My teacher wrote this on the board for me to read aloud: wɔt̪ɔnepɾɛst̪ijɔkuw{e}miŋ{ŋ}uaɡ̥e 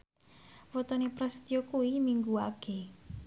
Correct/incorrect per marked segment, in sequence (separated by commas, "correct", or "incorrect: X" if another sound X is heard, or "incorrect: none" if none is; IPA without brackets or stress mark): incorrect: i, incorrect: ɡ